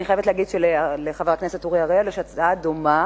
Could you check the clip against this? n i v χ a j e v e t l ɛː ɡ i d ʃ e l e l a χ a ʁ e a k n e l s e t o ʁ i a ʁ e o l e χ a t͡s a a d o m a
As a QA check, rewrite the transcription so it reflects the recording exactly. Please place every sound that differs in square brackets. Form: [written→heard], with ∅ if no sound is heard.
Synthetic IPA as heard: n i [v→∅] χ a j e v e t l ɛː ɡ i d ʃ e l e l [a→e] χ a [ʁ→v] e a k n e [l→∅] s e t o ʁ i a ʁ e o l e [χ→ʃ] a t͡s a a d o m a